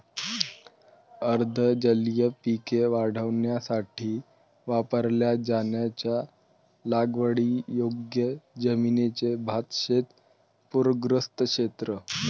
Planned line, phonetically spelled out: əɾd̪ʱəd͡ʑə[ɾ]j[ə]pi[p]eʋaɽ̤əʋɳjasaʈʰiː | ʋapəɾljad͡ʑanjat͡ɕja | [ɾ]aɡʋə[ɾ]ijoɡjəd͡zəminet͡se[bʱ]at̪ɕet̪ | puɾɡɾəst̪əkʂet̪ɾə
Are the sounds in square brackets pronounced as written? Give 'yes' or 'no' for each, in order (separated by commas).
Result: no, yes, no, no, no, yes